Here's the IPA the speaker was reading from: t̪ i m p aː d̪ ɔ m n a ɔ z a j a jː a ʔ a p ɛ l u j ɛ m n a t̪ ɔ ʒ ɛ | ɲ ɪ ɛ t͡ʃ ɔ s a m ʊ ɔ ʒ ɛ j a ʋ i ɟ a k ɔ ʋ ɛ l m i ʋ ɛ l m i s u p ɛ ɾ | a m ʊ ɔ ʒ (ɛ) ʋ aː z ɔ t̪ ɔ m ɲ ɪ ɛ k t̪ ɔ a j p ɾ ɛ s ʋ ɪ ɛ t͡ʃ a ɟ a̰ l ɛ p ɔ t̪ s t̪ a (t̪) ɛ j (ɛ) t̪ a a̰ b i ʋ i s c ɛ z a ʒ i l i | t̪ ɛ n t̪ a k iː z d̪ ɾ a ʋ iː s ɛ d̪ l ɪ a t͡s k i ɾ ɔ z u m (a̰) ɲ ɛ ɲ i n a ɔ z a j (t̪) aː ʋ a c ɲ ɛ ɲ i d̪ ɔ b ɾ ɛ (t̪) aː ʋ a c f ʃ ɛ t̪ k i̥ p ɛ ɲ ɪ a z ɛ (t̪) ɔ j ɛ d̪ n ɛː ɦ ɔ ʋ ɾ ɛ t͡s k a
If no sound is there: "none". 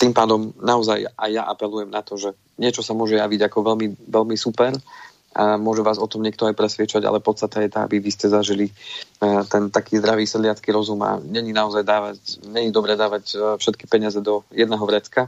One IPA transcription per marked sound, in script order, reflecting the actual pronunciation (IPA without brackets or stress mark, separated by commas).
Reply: ɛ, t̪, ɛ, a̰, d̪, d̪, d̪